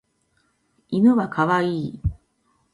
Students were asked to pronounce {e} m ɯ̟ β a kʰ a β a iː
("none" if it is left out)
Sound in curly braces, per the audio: i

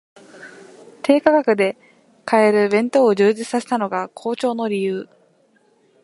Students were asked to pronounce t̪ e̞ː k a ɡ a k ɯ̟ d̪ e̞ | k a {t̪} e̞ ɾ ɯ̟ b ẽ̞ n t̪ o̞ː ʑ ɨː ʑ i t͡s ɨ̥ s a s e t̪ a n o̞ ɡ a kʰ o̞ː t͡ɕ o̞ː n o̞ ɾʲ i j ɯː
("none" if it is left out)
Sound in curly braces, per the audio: none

